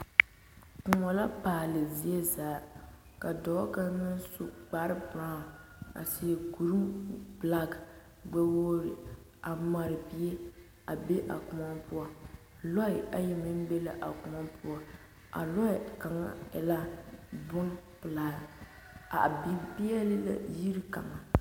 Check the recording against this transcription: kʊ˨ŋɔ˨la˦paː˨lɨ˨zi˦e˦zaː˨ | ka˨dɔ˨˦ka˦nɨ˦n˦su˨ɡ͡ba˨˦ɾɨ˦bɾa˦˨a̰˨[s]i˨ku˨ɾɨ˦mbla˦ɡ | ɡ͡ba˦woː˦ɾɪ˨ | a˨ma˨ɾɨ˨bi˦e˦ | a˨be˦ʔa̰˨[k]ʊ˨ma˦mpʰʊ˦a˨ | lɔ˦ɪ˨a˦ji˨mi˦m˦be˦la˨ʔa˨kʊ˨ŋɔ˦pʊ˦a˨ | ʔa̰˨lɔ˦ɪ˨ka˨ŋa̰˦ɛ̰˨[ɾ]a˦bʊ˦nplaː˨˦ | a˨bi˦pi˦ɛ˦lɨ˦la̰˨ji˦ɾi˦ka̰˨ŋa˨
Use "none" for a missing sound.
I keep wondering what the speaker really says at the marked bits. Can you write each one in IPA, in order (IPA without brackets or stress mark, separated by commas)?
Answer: s, k, l